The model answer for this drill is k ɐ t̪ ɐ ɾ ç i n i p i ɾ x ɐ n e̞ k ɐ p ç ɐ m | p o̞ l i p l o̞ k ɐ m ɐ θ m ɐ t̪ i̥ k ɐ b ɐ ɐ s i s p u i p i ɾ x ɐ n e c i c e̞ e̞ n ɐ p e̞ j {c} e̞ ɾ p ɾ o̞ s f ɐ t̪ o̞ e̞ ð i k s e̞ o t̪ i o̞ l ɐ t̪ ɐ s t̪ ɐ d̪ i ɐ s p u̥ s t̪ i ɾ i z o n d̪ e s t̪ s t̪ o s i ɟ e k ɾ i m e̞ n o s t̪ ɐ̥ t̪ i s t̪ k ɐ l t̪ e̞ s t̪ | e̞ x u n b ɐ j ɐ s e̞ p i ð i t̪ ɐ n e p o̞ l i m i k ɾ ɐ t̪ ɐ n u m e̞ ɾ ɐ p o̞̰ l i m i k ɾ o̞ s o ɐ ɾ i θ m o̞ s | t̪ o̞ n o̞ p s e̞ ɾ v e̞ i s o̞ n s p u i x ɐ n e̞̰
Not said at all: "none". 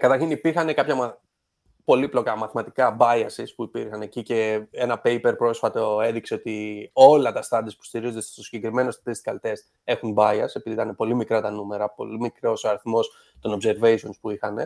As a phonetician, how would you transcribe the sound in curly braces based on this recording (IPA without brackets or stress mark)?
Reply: p